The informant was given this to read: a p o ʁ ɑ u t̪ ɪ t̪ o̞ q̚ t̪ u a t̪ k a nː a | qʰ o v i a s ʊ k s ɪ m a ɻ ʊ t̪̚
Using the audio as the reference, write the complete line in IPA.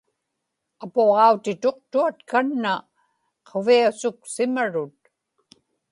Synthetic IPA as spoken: a p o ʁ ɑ u t̪ ɪ t̪ o̞ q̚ t̪ u a t̪ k a nː a | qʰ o v i a s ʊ k s ɪ m a ɻ ʊ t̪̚

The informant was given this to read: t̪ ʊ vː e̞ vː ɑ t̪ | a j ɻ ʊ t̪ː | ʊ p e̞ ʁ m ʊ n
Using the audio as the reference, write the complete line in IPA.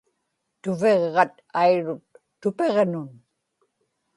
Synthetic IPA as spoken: t̪ ʊ v e̞ ʁː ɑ t̪ | a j ɻ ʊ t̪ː | ʊ p e̞ ʁ n ʊ n

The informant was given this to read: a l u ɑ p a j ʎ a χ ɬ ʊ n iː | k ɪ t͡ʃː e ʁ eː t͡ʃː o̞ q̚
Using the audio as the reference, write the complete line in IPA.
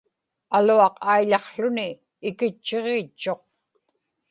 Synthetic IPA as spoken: a l u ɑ q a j ʎ ɑ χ ɬ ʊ n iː | k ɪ t͡ʃː e ʁ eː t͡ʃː o̞ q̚

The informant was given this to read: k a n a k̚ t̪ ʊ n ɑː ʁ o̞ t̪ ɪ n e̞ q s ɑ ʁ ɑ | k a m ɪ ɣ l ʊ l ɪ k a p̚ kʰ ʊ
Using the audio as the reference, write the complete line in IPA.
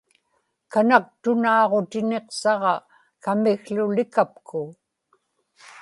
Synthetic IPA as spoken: k a n a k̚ t̪ ʊ n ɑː ʁ o̞ t̪ ɪ n e̞ q s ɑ ʁ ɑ | k a m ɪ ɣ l ʊ l ɪ k a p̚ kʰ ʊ

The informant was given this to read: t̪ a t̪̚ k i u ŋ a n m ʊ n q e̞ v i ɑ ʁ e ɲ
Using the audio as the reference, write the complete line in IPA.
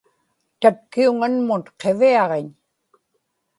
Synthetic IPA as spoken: t̪ a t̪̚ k i u ŋ a n m ʊ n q e̞ v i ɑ ʁ e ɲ

